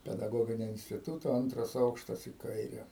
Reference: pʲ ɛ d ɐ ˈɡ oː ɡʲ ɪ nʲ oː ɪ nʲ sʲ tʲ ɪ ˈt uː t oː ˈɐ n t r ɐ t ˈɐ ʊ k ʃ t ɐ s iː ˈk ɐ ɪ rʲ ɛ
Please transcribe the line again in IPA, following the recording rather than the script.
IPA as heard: pʲ ɛ d ɐ ˈɡ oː ɡʲ ɪ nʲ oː ɪ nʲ sʲ tʲ ɪ ˈt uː t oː ˈɐ n t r ɐ s ˈɐ ʊ k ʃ t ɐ s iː ˈk ɐ ɪ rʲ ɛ